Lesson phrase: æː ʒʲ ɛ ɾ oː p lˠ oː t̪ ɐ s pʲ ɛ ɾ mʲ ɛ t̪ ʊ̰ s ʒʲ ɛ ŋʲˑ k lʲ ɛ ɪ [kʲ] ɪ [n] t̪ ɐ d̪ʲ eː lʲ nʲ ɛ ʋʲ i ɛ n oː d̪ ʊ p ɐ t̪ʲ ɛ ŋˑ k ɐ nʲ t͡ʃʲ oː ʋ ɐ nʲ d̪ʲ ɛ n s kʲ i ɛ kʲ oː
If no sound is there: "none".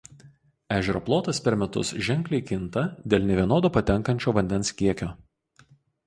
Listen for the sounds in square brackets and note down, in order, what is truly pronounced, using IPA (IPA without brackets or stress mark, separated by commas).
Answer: kʲ, n